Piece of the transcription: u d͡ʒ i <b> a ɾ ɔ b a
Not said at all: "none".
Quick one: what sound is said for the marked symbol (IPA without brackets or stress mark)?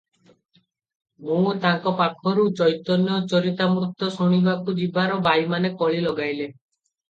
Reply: b